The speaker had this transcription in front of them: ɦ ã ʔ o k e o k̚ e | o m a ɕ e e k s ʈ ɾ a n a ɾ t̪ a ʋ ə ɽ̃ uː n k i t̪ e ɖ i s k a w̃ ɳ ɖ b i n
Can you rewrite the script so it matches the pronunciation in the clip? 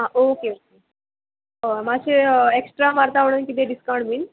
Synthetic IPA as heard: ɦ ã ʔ o k e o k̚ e | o m a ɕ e e k s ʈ ɾ a m a ɾ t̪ a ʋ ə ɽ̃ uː n k i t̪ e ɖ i s k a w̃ ɳ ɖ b i n